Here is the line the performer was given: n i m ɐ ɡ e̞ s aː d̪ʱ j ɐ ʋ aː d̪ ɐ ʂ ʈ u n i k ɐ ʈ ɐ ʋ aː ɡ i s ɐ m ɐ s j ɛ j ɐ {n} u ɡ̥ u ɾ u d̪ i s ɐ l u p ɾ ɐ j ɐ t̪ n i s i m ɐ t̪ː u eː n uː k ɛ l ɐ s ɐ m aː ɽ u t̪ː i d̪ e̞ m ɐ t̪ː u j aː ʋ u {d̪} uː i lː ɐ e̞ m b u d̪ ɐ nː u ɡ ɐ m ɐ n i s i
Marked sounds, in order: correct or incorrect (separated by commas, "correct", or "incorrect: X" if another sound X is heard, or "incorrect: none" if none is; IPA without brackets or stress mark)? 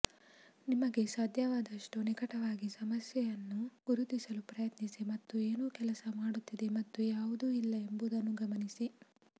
incorrect: nː, correct